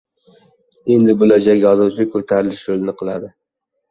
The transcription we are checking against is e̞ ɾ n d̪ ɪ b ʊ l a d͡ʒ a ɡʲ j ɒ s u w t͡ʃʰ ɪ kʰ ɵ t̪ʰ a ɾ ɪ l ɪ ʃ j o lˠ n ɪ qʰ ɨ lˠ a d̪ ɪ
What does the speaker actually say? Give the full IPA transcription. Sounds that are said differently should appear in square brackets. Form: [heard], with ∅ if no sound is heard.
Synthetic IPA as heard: e̞ [∅] n d̪ ɪ b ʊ l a d͡ʒ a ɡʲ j ɒ [z] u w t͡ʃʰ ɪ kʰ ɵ t̪ʰ a ɾ ɪ l ɪ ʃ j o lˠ n ɪ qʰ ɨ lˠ a d̪ ɪ